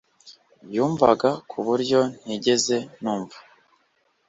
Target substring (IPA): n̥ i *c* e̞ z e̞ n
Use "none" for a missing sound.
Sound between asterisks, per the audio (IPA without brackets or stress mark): ɟ